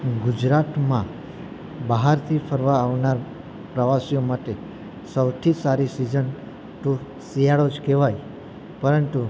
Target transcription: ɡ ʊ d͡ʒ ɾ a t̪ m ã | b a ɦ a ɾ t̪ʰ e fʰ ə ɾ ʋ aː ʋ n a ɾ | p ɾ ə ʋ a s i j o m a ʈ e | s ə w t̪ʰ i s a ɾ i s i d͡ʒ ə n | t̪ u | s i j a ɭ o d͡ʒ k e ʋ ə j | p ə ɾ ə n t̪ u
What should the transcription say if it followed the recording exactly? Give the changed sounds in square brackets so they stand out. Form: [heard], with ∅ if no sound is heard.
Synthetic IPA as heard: ɡ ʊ d͡ʒ ɾ a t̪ m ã | b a ɦ a ɾ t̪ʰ [i] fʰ ə ɾ ʋ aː ʋ n a ɾ | p ɾ ə ʋ a s i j o m a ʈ e | s ə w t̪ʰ i s a ɾ i s i d͡ʒ ə n | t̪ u | s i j a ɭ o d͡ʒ k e ʋ [a] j | p ə ɾ ə n t̪ u